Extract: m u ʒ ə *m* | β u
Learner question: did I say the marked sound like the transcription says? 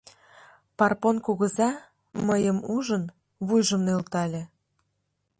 no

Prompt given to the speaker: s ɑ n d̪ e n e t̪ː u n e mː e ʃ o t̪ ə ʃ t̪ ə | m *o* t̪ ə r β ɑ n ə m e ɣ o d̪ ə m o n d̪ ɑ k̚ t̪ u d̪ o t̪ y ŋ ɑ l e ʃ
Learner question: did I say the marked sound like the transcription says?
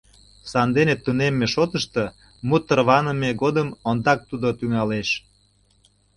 no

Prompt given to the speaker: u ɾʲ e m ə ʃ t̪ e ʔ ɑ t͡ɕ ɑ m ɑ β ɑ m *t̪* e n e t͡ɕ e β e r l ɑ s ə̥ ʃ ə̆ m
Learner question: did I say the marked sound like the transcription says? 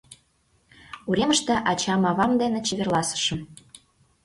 no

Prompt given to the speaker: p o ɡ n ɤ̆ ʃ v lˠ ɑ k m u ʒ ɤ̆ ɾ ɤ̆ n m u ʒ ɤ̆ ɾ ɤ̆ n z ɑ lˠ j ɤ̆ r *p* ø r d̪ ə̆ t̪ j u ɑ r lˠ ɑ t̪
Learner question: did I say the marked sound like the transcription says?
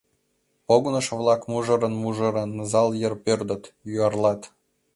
yes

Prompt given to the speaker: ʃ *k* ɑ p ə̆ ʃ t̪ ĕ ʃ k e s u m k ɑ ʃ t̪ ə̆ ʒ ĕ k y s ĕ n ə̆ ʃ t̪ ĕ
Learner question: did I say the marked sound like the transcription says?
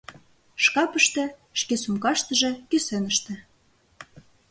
yes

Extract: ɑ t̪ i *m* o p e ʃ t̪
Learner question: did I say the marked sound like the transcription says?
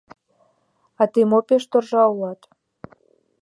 yes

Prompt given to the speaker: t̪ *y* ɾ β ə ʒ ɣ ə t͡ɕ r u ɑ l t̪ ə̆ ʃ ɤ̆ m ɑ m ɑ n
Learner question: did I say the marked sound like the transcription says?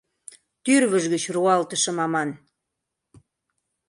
yes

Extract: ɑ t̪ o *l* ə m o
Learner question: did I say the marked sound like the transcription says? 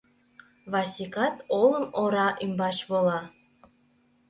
yes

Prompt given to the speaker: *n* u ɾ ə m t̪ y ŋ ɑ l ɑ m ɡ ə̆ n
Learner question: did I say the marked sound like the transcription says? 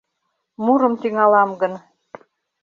no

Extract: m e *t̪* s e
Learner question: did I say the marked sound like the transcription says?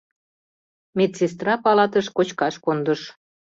yes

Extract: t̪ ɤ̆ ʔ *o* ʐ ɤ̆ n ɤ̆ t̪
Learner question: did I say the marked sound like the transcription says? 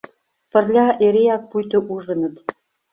no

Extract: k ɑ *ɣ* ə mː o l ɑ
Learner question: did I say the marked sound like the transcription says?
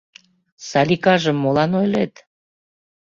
no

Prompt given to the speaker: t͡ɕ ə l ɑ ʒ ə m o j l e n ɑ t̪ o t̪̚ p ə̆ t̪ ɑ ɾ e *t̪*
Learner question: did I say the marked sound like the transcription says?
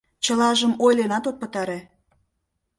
no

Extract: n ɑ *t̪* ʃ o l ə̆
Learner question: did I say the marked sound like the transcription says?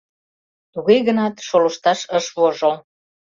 yes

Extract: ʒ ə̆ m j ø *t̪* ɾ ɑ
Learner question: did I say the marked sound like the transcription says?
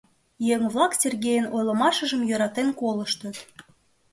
no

